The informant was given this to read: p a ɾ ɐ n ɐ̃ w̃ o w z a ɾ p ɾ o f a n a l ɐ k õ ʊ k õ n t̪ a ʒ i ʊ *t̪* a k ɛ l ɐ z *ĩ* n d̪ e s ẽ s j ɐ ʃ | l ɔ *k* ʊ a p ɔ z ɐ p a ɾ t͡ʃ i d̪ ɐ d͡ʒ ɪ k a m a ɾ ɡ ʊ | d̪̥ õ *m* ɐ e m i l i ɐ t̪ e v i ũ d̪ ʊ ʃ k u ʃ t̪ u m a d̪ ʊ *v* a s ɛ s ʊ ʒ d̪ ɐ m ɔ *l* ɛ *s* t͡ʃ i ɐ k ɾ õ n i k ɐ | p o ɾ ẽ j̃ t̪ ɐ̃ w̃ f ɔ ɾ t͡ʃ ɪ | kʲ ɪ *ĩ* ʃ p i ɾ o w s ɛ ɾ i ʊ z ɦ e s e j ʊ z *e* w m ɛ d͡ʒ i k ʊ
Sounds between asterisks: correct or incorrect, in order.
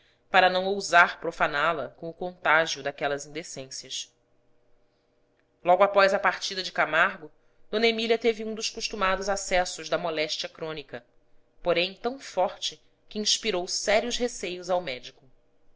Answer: incorrect, correct, incorrect, incorrect, incorrect, correct, incorrect, correct, incorrect

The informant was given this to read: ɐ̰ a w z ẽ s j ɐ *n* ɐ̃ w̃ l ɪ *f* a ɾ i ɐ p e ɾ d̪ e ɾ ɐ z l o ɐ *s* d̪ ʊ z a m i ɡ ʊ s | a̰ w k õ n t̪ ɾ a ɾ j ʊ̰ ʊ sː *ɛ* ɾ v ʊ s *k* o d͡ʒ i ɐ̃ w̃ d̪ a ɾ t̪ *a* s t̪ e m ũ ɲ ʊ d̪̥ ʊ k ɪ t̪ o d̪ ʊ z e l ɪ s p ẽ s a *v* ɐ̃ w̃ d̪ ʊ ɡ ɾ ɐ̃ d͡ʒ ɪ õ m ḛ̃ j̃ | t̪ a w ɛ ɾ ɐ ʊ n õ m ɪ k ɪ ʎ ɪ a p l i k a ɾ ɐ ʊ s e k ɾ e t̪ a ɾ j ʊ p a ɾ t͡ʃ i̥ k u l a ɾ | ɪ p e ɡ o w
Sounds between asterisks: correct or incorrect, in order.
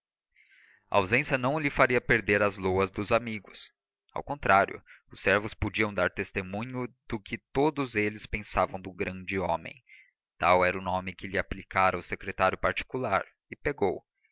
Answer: correct, correct, incorrect, correct, incorrect, incorrect, correct

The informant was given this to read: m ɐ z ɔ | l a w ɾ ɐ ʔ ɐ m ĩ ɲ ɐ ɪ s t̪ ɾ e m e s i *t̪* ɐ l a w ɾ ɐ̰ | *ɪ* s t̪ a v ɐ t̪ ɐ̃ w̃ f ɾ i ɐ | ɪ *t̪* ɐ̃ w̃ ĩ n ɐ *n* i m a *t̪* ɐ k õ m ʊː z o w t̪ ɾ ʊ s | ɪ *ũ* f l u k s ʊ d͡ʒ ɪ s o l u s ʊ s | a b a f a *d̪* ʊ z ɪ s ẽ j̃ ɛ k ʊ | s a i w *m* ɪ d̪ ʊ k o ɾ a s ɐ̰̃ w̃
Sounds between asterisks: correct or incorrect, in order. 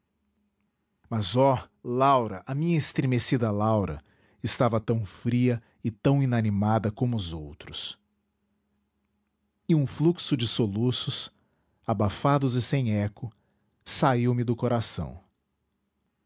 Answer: incorrect, correct, correct, correct, incorrect, correct, correct, correct

